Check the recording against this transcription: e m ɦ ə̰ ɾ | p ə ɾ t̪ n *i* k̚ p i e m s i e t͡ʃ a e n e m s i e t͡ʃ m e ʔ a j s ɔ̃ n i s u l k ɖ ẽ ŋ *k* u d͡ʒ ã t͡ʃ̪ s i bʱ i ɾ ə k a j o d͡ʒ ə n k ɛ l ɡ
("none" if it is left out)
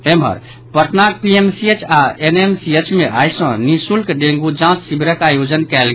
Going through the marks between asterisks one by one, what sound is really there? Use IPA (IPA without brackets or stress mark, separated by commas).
a, ɡ